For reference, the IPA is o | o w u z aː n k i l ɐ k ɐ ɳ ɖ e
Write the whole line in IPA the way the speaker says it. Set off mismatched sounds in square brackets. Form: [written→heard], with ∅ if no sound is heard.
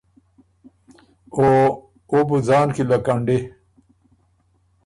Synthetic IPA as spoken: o | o [w→b] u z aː n k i l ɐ k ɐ ɳ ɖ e